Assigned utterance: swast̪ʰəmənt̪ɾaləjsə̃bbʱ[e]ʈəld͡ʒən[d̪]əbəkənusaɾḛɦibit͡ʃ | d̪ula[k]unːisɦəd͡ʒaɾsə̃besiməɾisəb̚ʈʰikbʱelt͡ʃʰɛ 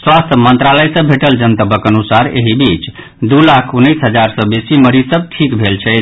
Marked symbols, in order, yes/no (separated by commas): yes, no, no